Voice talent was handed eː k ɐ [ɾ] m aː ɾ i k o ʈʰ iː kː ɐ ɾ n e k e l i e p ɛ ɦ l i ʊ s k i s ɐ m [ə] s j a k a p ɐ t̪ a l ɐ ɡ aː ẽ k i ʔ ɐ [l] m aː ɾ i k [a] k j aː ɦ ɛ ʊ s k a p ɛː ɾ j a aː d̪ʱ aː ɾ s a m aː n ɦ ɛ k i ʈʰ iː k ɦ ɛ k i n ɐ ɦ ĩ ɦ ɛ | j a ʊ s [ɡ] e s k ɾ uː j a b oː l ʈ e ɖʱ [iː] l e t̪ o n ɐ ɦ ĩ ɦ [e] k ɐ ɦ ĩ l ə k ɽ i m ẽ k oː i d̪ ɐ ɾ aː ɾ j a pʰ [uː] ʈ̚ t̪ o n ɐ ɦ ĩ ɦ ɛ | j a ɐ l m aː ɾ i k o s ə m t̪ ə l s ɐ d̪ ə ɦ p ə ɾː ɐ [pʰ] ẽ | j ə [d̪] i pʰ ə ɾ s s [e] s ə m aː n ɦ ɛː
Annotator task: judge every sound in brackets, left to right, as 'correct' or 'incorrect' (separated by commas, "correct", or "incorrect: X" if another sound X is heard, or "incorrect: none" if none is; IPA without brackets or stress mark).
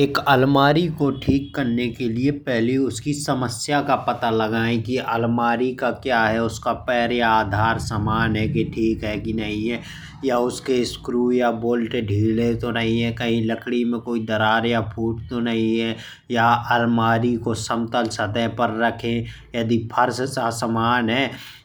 incorrect: l, correct, correct, correct, incorrect: k, correct, incorrect: ɛ, correct, incorrect: kʰ, correct, incorrect: a